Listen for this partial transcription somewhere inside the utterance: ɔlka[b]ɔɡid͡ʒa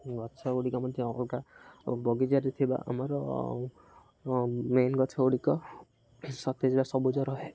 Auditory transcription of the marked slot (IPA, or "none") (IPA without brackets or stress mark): b